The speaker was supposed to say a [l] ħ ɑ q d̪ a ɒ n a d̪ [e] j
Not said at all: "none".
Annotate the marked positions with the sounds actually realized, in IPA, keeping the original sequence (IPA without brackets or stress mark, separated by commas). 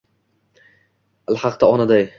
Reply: l, a